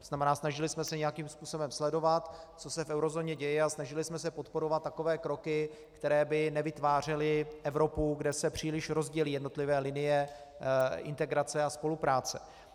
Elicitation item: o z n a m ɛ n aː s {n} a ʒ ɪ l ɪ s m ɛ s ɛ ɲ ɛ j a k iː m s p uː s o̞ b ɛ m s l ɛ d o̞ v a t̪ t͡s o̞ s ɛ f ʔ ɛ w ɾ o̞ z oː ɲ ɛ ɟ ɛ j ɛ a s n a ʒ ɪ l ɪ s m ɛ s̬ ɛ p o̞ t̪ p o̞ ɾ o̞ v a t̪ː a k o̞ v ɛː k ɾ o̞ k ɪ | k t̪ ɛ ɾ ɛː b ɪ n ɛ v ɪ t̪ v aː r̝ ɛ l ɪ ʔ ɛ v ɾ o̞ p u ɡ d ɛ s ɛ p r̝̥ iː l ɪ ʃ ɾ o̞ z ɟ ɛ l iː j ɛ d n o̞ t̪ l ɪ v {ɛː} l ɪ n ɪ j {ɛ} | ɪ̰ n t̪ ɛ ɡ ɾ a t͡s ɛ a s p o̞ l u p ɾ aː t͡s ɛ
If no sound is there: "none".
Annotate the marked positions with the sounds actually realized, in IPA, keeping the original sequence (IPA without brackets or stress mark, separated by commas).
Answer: n, ɛː, ɛ